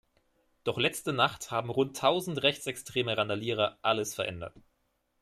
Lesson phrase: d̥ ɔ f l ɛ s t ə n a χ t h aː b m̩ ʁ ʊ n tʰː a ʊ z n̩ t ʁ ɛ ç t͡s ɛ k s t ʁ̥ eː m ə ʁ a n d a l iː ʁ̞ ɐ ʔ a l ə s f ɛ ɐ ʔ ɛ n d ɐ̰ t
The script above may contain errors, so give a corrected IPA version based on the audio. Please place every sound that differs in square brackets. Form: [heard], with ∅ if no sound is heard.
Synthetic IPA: d̥ ɔ [χ] l ɛ [t͡s] t ə n a χ t h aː b m̩ ʁ ʊ n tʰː a ʊ z n̩ t ʁ ɛ ç t͡s ɛ k s t ʁ̥ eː m ə ʁ a n d a l iː ʁ̞ ɐ ʔ a l ə s f ɛ ɐ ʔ ɛ n d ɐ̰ t